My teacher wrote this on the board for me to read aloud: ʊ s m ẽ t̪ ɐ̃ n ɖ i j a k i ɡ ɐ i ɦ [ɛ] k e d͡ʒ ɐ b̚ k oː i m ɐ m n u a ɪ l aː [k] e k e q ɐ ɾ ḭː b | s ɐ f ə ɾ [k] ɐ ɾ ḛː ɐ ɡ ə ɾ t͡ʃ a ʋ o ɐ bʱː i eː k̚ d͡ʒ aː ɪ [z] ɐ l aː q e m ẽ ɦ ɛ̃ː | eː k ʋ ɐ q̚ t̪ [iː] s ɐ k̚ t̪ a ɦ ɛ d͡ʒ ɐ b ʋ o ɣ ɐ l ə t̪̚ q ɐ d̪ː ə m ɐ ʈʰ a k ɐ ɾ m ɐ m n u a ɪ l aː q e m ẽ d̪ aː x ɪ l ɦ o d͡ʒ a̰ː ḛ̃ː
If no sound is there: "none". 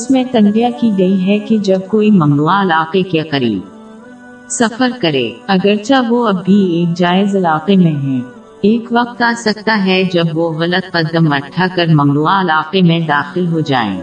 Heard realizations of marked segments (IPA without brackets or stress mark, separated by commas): ɛ, q, k, z, aː